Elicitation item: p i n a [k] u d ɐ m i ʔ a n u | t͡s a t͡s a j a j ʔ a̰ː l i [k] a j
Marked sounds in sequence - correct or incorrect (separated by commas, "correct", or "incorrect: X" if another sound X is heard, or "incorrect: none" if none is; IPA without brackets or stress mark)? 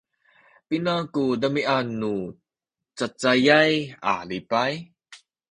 correct, incorrect: p